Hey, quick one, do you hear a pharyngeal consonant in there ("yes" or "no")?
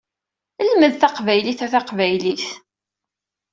no